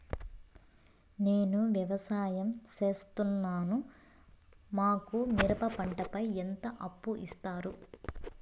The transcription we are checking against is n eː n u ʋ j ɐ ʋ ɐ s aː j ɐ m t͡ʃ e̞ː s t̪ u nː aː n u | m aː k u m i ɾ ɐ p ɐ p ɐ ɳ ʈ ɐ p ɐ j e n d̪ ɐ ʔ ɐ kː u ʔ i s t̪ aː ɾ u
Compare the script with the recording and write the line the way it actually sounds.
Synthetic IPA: n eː n u ʋ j ɐ ʋ ɐ s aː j ɐ m t͡ʃ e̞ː s t̪ u nː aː n u | m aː k u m i ɾ ɐ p ɐ p ɐ ɳ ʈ ɐ p ɐ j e n t̪ ɐ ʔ ɐ pː u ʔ i s t̪ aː ɾ u